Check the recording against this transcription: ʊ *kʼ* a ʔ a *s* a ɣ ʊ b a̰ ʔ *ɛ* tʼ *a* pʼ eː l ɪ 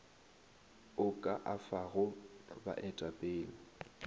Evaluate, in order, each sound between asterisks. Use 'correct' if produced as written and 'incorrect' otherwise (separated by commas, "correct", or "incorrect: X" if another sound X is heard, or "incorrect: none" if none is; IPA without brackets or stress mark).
correct, incorrect: f, correct, correct